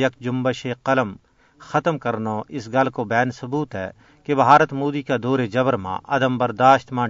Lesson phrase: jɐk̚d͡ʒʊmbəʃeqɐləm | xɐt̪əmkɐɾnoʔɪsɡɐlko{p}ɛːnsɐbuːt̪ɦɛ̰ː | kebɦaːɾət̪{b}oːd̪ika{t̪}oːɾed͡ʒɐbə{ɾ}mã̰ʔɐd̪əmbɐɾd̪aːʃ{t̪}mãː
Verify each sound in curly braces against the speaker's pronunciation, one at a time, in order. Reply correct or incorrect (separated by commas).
incorrect, incorrect, incorrect, correct, correct